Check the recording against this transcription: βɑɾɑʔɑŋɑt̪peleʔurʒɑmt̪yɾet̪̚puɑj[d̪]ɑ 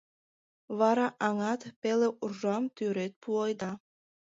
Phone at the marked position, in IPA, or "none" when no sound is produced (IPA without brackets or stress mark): d̪